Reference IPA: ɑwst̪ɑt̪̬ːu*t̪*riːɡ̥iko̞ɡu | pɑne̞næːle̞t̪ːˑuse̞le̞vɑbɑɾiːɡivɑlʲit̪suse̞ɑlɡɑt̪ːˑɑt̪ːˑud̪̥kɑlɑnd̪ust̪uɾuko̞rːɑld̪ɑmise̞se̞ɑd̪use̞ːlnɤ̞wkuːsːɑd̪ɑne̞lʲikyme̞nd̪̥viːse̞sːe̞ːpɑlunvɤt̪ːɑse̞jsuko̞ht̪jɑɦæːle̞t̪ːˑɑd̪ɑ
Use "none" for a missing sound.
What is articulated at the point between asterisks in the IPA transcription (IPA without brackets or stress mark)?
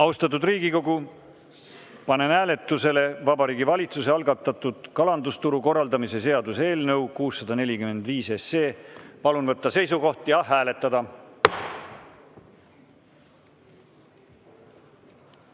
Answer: d̪